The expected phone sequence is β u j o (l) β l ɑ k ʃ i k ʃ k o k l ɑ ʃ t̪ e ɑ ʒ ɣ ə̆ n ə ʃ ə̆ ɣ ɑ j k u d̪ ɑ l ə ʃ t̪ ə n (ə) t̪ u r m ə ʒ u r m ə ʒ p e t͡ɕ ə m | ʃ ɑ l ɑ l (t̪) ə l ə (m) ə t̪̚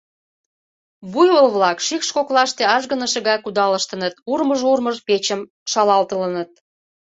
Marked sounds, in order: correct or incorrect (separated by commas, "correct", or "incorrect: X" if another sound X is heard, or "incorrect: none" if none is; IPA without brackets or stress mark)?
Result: correct, correct, correct, incorrect: n